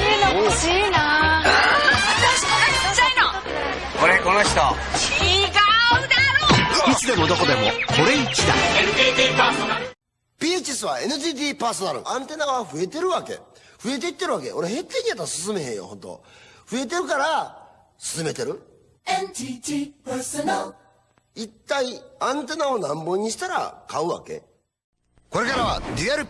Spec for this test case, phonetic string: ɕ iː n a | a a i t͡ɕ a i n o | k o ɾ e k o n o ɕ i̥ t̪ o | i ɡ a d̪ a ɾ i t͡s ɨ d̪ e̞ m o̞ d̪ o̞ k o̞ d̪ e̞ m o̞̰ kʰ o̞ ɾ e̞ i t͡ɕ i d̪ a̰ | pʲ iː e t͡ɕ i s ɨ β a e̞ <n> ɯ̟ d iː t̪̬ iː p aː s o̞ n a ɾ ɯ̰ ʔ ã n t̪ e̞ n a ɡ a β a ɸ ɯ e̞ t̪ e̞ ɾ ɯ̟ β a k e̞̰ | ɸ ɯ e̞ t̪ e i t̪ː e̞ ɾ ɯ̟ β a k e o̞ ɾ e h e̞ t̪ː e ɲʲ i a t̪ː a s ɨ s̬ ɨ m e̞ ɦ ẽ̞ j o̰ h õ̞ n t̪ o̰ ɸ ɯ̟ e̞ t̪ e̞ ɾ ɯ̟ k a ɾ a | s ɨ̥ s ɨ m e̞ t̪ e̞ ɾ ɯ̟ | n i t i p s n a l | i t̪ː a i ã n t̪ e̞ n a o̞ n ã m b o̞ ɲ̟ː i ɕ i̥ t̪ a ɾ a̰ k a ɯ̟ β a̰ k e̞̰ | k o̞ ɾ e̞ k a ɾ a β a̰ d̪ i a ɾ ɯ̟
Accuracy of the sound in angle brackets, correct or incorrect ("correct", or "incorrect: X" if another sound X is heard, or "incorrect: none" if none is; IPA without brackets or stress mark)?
correct